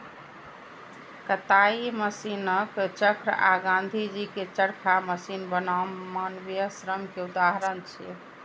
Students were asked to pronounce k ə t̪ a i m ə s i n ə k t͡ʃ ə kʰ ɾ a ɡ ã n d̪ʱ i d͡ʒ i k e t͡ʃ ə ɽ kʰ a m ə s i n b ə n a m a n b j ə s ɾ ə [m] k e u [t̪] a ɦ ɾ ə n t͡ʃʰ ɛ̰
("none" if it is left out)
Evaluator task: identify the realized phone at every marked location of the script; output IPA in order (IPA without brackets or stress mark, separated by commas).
m, d̪